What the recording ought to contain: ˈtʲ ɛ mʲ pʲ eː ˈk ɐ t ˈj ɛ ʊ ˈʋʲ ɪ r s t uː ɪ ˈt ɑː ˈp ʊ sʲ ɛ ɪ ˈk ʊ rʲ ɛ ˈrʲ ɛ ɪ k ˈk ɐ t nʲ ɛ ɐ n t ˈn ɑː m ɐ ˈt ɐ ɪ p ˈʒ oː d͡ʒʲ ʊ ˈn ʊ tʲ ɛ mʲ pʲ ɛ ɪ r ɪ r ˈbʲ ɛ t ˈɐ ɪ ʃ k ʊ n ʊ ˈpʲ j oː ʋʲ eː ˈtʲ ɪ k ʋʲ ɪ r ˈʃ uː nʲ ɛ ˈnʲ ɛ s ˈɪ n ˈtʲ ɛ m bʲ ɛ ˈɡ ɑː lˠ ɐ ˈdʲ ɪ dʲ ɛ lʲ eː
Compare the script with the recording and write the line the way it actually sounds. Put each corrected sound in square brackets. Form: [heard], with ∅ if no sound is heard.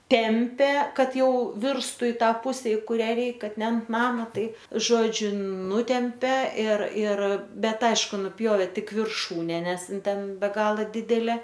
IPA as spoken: ˈtʲ ɛ mʲ pʲ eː ˈk ɐ t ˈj ɛ ʊ ˈʋʲ ɪ r s t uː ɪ ˈt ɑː ˈp ʊ sʲ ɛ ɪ ˈk ʊ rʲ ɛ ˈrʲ ɛ ɪ k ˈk ɐ t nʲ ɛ ɐ n t ˈn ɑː m ɐ ˈt ɐ ɪ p ˈʒ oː d͡ʒʲ ʊ ˈn ʊ tʲ ɛ mʲ pʲ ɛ ɪ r ɪ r ˈbʲ ɛ t ˈɐ ɪ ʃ k ʊ n ʊ ˈpʲ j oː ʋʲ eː ˈtʲ ɪ k ʋʲ ɪ r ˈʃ uː nʲ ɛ ˈnʲ ɛ s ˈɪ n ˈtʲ ɛ [n] bʲ ɛ ˈɡ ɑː lˠ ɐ ˈdʲ ɪ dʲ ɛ lʲ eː